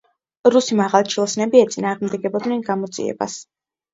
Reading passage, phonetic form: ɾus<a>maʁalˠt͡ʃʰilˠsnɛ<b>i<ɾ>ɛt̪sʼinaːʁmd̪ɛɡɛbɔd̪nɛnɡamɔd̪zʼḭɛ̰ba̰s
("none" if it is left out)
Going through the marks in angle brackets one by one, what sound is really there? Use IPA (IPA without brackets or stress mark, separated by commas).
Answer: i, b, none